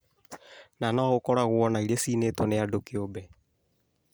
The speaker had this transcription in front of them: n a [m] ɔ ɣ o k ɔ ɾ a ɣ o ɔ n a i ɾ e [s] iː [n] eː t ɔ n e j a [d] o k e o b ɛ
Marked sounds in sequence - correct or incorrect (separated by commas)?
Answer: incorrect, correct, correct, correct